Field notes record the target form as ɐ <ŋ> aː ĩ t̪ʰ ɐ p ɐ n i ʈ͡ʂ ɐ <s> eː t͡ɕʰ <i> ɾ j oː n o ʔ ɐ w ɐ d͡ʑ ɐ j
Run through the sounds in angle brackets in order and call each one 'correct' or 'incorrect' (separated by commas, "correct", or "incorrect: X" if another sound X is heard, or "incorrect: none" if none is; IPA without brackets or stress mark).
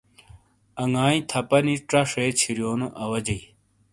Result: correct, incorrect: ʂ, correct